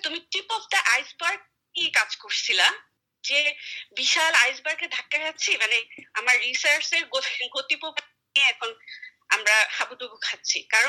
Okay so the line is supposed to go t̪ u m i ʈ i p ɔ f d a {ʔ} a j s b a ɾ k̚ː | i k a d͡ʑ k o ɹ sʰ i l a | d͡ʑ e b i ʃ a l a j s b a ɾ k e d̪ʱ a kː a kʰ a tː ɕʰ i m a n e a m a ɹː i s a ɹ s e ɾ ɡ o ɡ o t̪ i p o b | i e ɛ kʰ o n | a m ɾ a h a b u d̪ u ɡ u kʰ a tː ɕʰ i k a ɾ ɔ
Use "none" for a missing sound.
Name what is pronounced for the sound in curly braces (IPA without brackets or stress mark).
ʔ